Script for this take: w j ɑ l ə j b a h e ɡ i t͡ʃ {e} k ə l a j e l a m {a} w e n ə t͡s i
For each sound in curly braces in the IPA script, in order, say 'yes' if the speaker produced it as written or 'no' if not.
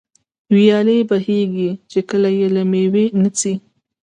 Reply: yes, no

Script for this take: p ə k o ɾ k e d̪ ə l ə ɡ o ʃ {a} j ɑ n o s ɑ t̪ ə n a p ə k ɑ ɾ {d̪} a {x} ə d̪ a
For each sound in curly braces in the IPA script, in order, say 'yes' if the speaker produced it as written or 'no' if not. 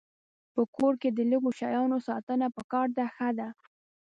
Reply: no, yes, yes

